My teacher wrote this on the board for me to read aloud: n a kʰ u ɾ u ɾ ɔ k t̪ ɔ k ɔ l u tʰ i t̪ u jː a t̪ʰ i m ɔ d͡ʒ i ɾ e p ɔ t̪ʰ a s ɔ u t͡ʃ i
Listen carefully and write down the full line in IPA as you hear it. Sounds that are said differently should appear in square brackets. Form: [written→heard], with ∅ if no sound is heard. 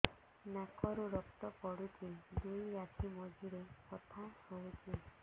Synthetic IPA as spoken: n a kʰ [u→ɔ] ɾ u ɾ ɔ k t̪ ɔ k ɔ [l→ɽ] u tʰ i [t̪→d̪] u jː a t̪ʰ i m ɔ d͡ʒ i ɾ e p ɔ t̪ʰ a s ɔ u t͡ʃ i